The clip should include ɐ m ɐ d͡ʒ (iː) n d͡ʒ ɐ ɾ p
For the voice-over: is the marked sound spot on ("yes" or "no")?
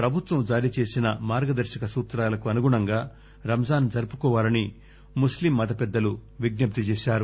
no